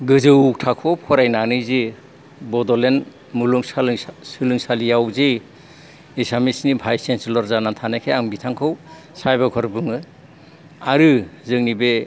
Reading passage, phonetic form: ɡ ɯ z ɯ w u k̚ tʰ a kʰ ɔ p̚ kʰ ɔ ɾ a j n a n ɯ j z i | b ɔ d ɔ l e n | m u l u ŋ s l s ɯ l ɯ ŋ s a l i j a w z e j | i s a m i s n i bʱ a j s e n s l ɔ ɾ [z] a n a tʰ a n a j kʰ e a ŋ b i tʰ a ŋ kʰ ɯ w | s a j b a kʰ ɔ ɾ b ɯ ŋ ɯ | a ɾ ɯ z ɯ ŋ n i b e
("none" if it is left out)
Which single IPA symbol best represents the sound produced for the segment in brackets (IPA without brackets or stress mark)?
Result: z